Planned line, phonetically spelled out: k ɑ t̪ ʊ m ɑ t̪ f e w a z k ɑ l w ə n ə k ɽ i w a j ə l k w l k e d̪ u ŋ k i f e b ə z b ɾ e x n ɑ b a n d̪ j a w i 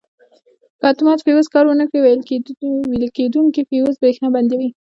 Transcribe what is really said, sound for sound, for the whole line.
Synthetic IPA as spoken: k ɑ t̪ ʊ m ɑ t̪ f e w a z k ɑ ɾ w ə n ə k ɽ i w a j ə l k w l k e d̪ u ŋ k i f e w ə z b ɾ e x n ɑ b a n d̪ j a w i